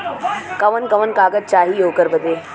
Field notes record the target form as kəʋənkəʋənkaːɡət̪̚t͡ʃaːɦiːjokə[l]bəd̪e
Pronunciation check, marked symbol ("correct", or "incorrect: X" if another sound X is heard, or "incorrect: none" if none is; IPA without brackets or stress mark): incorrect: ɾ